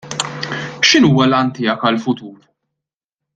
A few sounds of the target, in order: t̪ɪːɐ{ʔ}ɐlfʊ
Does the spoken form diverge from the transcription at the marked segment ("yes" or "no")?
yes